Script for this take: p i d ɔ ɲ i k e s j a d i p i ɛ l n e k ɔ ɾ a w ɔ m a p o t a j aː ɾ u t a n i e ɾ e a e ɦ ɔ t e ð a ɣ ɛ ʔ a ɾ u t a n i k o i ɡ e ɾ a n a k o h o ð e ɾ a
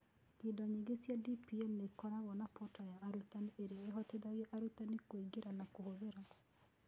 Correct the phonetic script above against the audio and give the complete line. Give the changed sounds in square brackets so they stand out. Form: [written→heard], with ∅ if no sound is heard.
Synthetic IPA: p i d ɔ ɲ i [k→ɡ] e s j a d i p i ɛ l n e k ɔ ɾ a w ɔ [m→n] a p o t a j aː ɾ u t a n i e ɾ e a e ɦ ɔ t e ð a ɣ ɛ ʔ a ɾ u t a n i k o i ɡ e ɾ a n a k o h o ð e ɾ a